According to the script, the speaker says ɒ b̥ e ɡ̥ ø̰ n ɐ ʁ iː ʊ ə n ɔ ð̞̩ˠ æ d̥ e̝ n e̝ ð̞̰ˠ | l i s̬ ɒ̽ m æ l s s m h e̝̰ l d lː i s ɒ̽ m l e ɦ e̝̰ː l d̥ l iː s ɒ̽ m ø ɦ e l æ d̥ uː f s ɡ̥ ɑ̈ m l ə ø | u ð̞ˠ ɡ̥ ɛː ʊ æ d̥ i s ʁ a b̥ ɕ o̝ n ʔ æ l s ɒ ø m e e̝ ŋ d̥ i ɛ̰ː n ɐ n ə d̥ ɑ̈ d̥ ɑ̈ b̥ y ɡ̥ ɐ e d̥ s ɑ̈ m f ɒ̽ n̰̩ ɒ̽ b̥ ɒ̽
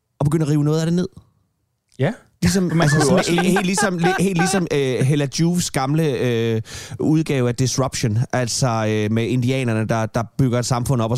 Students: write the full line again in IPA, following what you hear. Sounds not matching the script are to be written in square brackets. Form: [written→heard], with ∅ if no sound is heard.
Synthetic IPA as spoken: ɒ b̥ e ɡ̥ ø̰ n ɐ ʁ iː ʊ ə n ɔ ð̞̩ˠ æ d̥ e̝ n e̝ ð̞̰ˠ | l i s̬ ɒ̽ m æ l s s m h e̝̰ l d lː i s ɒ̽ m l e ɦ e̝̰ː l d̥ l [iː→i] s ɒ̽ m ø ɦ e l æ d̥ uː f s ɡ̥ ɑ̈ m l ə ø | u ð̞ˠ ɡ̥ ɛː ʊ æ d̥ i s ʁ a b̥ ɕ o̝ n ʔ æ l s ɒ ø m e e̝ [ŋ→n] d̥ i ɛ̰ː n ɐ n ə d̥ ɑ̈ d̥ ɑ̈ b̥ y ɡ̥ ɐ e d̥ s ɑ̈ m f [ɒ̽→ɔ̽] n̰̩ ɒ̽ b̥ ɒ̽